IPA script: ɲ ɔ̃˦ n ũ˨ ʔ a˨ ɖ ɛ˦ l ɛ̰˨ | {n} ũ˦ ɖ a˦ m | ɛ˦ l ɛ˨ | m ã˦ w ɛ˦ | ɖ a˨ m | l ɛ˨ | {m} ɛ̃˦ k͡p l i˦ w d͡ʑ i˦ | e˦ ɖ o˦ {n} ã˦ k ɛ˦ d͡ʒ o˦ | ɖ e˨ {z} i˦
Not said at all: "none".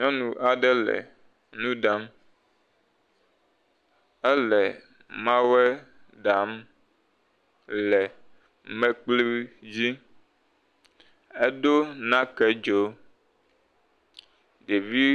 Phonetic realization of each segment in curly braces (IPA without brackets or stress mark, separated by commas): n, m, n, v